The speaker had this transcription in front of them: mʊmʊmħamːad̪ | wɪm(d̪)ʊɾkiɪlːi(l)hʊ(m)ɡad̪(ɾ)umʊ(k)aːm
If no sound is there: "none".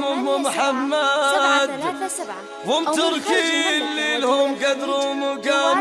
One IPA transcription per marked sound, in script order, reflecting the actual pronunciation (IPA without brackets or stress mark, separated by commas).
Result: t̪, l, m, ɾ, ɡ